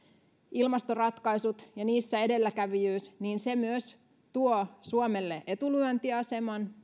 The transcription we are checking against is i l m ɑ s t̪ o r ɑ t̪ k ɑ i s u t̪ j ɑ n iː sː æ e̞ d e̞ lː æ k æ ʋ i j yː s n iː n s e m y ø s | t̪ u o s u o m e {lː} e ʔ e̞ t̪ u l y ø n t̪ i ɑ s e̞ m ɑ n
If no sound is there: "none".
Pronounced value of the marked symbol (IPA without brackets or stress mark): lː